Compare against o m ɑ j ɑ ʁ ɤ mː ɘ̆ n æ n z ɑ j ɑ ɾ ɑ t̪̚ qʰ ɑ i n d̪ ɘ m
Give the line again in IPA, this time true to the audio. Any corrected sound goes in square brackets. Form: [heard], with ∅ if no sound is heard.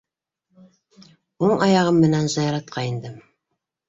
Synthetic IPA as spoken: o [ɴ] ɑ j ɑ ʁ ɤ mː ɘ̆ n æ n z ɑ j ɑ ɾ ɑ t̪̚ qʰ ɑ i n d̪ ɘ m